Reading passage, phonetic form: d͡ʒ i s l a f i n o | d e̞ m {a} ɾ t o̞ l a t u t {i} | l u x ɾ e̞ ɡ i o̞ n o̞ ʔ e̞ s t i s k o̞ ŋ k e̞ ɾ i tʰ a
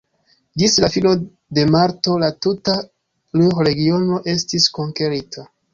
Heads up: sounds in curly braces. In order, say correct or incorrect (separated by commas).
correct, incorrect